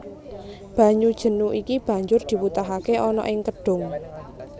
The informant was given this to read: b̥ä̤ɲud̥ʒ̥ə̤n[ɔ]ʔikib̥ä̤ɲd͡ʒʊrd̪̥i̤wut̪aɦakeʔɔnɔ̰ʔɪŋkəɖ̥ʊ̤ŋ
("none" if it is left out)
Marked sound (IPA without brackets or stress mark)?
u